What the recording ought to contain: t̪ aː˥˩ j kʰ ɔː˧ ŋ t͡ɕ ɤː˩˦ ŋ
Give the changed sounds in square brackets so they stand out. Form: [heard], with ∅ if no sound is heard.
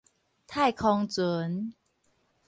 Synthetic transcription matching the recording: [t̪ʰ] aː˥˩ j kʰ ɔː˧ ŋ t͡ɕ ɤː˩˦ [n]